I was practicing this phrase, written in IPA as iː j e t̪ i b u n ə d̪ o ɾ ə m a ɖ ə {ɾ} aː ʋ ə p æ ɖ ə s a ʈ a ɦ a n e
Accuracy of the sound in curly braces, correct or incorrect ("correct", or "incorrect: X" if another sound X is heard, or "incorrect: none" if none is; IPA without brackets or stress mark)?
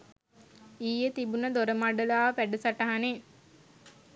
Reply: incorrect: l